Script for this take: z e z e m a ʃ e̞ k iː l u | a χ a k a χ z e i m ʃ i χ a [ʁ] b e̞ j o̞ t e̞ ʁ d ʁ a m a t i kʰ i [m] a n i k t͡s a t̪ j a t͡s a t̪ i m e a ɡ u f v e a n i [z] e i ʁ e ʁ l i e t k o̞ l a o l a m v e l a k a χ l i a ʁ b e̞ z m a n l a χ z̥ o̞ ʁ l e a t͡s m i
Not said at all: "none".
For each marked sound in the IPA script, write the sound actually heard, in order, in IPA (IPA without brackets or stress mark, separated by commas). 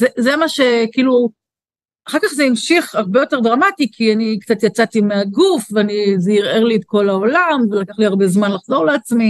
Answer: ʁ, none, z